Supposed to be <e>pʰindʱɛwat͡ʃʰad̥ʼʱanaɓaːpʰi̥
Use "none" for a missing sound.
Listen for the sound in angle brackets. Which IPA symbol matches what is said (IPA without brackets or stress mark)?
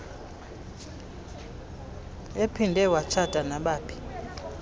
e